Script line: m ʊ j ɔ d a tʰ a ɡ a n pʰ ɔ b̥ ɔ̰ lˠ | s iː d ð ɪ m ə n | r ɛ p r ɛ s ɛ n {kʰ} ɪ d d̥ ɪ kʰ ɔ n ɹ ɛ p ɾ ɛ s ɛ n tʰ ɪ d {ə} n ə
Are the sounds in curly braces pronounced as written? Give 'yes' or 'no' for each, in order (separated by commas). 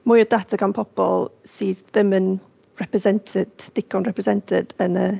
no, yes